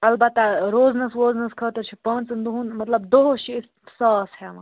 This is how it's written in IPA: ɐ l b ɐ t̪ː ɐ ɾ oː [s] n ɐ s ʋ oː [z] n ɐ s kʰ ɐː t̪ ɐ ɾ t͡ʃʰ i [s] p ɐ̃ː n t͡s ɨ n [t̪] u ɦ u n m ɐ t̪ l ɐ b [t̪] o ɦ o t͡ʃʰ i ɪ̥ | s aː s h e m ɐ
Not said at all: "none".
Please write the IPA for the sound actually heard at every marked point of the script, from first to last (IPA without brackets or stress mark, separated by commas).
z, z, none, d̪, d̪